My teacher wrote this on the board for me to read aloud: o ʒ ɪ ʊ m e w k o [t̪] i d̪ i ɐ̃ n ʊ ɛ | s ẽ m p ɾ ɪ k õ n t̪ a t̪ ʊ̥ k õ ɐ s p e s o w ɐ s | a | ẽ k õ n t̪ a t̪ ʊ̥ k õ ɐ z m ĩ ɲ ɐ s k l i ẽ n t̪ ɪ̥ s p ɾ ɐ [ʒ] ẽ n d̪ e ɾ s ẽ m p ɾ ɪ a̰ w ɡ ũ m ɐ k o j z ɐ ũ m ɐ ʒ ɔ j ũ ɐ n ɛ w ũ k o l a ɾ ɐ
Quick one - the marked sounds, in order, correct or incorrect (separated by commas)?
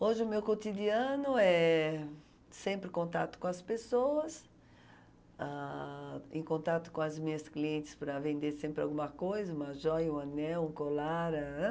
correct, incorrect